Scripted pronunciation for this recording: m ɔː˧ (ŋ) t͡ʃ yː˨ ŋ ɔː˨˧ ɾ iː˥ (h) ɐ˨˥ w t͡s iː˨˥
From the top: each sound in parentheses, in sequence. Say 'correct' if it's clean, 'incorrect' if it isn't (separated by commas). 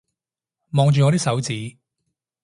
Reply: correct, incorrect